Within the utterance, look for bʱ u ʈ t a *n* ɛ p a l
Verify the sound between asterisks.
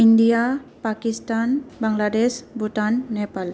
incorrect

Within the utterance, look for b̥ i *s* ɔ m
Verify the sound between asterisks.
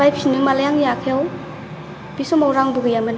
correct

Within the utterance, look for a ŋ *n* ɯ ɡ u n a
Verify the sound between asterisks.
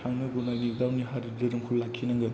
correct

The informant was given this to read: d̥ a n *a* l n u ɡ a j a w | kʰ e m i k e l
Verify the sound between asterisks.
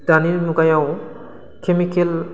incorrect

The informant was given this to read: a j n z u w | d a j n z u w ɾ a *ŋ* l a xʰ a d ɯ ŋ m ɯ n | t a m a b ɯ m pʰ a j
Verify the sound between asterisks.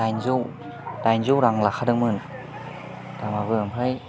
correct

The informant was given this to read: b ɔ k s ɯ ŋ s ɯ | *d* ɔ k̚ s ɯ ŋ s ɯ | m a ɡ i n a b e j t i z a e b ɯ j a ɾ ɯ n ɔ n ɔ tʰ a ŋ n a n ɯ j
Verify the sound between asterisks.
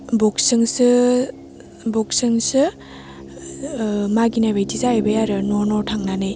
incorrect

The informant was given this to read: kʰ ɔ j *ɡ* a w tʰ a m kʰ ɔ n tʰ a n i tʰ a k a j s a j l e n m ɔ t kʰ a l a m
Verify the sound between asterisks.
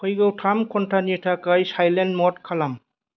correct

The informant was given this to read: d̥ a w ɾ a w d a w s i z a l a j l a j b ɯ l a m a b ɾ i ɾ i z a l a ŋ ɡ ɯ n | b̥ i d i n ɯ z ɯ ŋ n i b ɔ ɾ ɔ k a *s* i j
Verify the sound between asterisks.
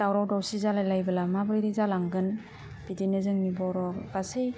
correct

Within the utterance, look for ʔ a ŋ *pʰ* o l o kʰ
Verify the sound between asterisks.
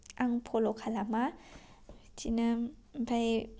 correct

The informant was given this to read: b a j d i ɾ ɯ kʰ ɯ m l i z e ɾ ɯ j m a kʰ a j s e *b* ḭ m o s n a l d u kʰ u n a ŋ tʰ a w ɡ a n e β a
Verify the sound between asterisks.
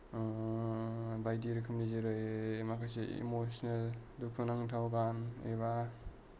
incorrect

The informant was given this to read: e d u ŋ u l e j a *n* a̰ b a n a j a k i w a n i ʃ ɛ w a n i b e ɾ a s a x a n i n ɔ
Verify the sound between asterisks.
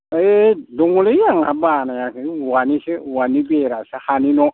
incorrect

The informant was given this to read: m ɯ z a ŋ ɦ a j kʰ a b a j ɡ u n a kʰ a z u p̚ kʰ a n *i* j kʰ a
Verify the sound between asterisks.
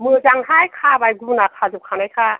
incorrect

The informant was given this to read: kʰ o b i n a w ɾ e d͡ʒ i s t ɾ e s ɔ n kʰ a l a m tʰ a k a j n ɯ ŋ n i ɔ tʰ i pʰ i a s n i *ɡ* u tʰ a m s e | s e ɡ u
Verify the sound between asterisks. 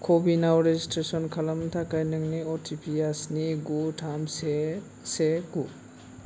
correct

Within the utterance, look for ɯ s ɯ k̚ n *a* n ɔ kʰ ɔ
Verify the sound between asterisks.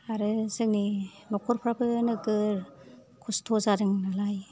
incorrect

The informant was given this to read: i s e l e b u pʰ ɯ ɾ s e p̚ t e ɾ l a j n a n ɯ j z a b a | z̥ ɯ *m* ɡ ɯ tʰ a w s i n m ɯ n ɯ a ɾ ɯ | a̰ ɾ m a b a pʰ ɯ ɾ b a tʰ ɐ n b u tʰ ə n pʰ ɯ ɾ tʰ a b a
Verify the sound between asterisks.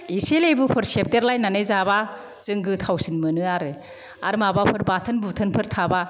incorrect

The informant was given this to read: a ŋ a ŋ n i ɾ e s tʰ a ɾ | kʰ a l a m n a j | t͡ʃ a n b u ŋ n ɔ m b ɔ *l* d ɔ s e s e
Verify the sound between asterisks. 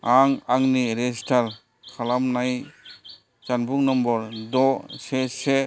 incorrect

